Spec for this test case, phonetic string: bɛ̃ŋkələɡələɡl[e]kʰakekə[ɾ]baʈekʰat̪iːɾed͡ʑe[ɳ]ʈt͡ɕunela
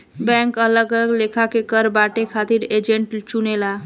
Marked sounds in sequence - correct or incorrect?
correct, correct, correct

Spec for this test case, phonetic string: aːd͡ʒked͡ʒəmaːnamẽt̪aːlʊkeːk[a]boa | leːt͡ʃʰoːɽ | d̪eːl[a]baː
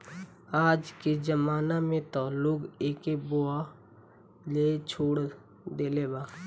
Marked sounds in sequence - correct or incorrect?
incorrect: e, incorrect: e

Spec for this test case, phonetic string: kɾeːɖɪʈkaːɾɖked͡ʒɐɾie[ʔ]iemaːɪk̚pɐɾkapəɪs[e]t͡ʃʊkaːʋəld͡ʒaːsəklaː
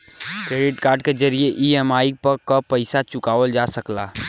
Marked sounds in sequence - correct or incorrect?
correct, incorrect: a

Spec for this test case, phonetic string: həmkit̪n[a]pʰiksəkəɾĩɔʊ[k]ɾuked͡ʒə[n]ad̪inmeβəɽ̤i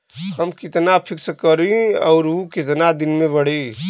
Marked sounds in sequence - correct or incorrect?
correct, incorrect: none, correct

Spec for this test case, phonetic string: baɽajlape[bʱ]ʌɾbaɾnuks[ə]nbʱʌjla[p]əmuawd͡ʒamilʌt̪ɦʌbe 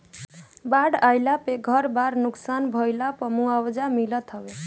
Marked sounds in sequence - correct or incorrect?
incorrect: ɡʱ, incorrect: a, correct

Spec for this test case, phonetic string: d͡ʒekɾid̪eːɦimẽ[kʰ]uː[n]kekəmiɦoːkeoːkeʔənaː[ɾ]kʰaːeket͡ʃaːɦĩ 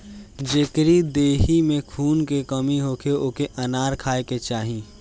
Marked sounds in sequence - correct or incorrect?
correct, correct, correct

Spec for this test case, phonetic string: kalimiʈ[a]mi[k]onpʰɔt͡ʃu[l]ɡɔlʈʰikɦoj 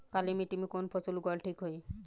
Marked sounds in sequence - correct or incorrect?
incorrect: i, correct, correct

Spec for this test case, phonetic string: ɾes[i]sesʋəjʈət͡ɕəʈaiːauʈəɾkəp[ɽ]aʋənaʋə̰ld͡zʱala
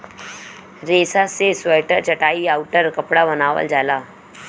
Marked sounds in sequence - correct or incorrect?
incorrect: a, correct

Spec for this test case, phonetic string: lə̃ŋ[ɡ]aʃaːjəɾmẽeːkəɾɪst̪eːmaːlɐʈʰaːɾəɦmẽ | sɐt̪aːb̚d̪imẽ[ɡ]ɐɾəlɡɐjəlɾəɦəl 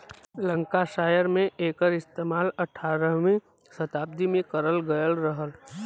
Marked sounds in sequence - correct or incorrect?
incorrect: k, incorrect: k

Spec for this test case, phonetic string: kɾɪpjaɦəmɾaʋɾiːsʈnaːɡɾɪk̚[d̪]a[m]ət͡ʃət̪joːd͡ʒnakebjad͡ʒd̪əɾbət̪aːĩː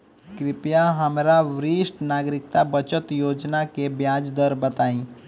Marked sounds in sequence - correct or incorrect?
incorrect: t̪, incorrect: b

